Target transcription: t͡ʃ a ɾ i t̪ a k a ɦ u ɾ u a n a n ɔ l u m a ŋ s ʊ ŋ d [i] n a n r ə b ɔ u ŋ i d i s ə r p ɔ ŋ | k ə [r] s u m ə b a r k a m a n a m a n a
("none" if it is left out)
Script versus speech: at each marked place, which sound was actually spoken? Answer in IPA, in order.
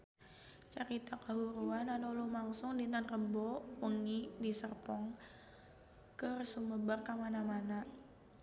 i, r

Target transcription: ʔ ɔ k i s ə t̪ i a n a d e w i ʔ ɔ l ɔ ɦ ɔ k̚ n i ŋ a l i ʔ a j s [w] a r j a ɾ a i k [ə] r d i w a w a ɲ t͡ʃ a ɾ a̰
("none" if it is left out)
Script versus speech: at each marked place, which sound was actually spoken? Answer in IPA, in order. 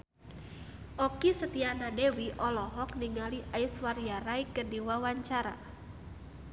w, ə

